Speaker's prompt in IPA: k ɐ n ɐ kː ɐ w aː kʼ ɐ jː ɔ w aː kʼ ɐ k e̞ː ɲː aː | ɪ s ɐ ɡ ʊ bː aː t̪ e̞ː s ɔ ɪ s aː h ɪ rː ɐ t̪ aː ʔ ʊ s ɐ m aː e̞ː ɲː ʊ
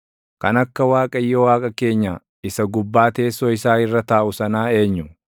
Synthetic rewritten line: k ɐ n ɐ kː ɐ w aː kʼ ɐ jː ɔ w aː kʼ ɐ k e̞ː ɲː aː | ɪ s ɐ ɡ ʊ bː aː t̪ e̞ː s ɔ ɪ s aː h ɪ rː ɐ t̪ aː ʔ ʊ s ɐ n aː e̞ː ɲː ʊ